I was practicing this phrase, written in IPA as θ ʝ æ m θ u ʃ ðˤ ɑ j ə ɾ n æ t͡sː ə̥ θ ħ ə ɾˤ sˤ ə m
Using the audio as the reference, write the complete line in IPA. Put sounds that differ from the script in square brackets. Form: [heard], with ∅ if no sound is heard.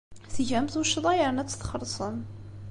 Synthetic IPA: θ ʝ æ m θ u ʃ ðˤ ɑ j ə ɾ n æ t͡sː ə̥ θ [χ] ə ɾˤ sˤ ə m